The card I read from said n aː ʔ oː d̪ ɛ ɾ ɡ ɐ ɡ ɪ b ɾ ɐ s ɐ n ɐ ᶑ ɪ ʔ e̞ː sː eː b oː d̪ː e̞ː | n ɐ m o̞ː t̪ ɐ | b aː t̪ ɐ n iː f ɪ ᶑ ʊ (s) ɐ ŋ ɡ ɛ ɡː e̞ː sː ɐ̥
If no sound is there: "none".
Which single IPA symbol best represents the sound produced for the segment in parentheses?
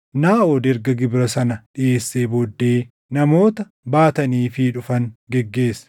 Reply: f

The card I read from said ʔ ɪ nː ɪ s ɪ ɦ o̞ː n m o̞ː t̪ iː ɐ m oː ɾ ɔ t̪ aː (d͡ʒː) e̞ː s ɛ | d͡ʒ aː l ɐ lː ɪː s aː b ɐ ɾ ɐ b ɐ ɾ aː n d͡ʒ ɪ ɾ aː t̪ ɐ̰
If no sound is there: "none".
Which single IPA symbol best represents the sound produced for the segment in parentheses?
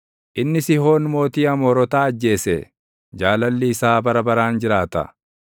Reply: d͡ʒː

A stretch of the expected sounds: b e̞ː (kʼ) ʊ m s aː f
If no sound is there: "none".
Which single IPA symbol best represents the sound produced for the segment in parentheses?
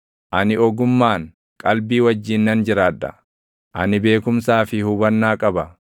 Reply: k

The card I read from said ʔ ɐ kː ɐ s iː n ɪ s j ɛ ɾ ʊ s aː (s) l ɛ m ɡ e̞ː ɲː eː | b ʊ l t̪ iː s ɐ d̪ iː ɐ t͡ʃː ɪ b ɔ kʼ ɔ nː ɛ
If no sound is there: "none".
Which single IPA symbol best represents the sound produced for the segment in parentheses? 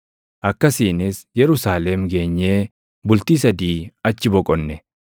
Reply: none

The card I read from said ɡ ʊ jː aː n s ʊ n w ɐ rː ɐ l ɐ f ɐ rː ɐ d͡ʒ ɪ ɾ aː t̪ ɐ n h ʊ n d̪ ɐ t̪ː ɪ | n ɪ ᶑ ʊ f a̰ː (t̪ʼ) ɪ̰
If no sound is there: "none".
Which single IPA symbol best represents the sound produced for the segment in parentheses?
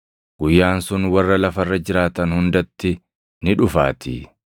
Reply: t̪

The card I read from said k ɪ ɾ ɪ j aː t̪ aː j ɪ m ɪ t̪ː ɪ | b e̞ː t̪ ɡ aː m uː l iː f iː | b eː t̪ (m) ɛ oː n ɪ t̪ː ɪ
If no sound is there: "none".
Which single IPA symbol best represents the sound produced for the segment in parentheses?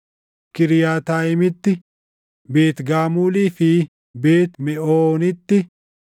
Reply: m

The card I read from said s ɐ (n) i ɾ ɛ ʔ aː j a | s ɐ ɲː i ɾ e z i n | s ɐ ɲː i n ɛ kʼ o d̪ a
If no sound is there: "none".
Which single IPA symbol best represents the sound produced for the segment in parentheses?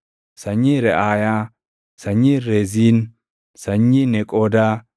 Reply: ɲ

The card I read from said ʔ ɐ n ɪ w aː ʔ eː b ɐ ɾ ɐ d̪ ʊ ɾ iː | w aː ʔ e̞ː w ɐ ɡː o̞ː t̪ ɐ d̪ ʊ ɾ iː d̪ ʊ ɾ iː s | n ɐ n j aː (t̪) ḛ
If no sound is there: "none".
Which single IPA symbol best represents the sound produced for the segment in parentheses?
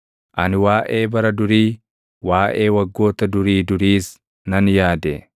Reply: d̪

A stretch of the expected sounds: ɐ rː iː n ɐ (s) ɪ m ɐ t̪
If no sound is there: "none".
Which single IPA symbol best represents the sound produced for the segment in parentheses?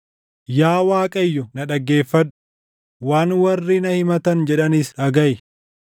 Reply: h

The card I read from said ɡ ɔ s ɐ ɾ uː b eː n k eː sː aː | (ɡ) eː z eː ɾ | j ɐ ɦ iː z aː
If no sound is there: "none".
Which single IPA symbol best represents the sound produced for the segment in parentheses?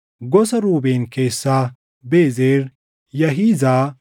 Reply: b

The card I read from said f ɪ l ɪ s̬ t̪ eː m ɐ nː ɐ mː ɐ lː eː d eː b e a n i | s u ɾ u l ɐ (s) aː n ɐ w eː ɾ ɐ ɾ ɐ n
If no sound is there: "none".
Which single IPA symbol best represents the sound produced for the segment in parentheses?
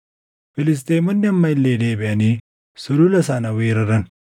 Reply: s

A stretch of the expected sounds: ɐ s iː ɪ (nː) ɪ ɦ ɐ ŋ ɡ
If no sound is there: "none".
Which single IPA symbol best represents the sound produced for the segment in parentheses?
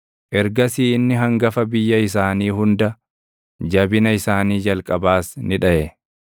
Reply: nː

